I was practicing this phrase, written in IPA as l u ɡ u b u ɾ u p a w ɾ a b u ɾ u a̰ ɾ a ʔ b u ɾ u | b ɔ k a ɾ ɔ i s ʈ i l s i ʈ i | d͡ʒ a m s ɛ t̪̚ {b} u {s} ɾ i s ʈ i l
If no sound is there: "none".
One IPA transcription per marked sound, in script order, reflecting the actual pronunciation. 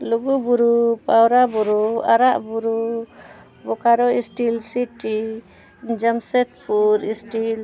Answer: p, none

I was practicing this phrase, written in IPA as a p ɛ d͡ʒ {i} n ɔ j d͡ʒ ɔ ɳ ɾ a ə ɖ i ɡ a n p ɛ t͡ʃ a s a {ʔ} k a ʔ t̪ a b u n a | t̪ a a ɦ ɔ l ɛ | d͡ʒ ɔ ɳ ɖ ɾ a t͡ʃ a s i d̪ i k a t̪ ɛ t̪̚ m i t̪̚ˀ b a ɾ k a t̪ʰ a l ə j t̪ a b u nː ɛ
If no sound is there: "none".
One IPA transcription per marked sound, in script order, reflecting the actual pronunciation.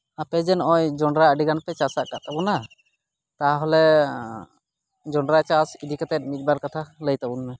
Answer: ɛ, ʔ

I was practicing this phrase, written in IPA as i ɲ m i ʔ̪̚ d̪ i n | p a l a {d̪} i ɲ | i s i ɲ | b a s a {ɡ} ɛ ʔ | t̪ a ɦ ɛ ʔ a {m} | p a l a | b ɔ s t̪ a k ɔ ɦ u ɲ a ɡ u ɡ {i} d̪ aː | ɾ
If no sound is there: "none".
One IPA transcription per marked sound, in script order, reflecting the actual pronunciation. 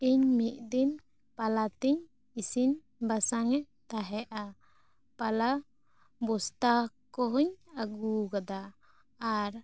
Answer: t̪, ŋ, none, a

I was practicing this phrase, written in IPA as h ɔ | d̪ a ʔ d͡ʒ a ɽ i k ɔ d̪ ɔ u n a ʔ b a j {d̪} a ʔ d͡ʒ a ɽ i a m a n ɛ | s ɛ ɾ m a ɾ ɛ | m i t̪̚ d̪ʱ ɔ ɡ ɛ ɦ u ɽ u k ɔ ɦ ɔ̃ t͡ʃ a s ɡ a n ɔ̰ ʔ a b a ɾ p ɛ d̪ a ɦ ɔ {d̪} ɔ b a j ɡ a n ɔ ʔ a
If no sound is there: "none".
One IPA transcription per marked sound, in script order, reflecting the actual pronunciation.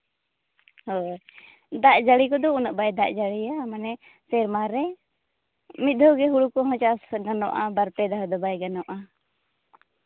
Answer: d̪, d̪

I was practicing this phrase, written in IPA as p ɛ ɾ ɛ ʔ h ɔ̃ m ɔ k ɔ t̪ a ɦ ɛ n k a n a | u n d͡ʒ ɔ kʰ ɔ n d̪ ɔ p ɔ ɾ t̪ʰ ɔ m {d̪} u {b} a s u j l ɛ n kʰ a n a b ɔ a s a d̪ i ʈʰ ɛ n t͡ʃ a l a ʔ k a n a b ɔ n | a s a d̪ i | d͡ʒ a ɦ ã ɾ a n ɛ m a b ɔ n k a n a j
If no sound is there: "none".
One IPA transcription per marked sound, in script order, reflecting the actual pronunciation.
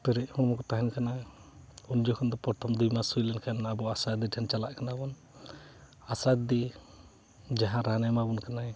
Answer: d̪, m

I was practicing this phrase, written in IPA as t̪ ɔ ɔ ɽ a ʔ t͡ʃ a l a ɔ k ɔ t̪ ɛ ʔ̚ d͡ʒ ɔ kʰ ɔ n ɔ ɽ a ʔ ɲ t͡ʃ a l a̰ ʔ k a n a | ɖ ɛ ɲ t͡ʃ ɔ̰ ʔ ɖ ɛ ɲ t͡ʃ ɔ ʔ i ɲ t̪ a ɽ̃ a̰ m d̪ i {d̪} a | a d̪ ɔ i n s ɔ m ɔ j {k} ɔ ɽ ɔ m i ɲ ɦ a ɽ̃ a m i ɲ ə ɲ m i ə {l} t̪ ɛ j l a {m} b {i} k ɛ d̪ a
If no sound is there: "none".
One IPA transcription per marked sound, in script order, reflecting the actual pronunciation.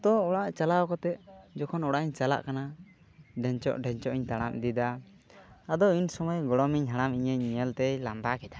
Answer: d̪, ɡ, l, m, a

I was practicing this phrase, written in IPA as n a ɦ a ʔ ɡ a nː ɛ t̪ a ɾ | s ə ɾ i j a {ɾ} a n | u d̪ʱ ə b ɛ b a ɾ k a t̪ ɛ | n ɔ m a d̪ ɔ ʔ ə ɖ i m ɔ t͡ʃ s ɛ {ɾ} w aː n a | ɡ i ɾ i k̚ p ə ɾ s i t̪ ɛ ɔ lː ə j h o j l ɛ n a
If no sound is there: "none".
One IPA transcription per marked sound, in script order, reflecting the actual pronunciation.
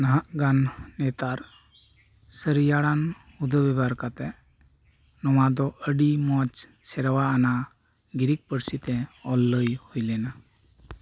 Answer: ɽ, ɾ

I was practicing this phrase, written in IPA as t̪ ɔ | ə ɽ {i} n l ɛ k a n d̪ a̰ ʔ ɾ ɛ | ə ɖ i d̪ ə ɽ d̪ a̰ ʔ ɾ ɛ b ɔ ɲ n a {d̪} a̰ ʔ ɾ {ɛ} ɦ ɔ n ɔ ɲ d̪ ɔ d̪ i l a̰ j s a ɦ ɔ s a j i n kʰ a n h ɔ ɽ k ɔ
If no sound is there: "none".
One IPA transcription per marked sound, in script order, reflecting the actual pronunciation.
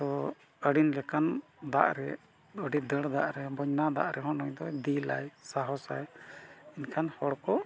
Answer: i, d̪, ɛ

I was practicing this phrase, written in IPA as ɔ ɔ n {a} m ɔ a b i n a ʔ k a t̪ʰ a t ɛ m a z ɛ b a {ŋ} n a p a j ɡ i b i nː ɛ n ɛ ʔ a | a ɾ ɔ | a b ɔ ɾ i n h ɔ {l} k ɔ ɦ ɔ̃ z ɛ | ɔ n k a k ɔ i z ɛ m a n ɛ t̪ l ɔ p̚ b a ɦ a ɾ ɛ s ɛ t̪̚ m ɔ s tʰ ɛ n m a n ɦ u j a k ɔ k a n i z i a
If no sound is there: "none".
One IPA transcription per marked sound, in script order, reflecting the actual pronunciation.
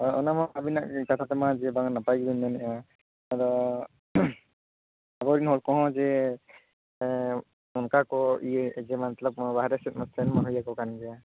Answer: a, ŋ, l

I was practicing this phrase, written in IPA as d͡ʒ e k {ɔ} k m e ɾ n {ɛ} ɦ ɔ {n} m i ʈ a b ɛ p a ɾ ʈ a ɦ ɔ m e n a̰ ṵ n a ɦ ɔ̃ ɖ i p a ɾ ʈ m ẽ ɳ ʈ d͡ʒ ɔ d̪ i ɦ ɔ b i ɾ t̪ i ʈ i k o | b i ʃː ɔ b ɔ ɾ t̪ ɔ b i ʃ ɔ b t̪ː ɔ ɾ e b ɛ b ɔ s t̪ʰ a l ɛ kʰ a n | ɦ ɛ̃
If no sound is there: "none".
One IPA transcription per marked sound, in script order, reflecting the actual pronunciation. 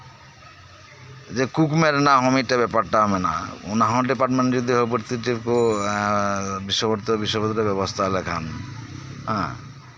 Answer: u, a, none

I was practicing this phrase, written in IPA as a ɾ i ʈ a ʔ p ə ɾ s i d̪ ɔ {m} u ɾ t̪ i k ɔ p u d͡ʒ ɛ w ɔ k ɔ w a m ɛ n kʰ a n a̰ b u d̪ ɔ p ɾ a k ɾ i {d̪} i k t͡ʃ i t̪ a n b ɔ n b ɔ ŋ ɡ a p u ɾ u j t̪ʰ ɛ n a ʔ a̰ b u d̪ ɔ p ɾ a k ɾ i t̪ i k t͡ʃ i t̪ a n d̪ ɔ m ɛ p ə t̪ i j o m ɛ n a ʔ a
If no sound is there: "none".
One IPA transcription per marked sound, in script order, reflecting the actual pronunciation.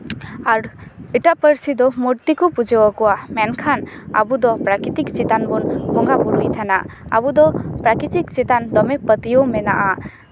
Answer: m, t̪

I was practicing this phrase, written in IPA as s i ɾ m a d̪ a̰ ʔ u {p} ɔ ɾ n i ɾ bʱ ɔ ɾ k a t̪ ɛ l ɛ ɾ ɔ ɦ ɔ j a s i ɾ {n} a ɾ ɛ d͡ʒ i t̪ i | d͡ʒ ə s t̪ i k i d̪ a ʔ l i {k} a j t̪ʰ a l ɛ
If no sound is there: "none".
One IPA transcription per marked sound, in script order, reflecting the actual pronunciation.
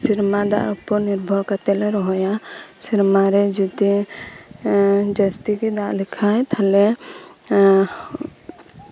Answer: p, m, kʰ

